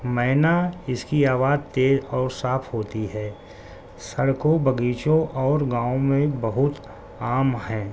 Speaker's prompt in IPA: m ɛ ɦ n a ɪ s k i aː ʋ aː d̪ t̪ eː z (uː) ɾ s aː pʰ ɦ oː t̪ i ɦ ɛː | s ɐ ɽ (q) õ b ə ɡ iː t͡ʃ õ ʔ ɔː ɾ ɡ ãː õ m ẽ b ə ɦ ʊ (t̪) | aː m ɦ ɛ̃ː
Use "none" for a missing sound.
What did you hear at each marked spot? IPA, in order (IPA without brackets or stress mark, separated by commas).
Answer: ɔː, k, t̪